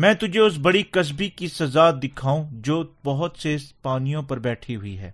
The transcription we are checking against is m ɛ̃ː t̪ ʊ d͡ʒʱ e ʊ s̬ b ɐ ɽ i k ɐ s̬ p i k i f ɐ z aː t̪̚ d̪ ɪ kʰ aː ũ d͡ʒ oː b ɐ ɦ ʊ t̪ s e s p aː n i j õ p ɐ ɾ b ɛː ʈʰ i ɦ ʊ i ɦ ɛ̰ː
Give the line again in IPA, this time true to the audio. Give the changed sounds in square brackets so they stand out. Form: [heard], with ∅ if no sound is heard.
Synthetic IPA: m ɛ̃ː t̪ ʊ d͡ʒʱ e ʊ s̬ b ɐ ɽ i k ɐ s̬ [b] i k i [s] ɐ z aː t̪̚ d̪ ɪ kʰ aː ũ d͡ʒ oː b ɐ ɦ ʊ t̪ s e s p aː n i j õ p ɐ ɾ b ɛː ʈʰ i ɦ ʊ i ɦ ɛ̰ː